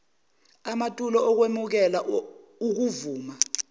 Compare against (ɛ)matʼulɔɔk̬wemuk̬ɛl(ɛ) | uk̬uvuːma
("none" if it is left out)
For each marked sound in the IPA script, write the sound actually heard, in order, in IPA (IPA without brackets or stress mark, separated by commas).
a, a